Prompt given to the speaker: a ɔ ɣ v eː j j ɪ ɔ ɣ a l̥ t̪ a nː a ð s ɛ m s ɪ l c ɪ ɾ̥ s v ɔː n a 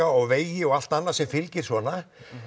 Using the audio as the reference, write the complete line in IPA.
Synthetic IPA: a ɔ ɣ v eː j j ɪ ɔ ɣ a l̥ t̪ a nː a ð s ɛ m f ɪ l c ɪ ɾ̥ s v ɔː n a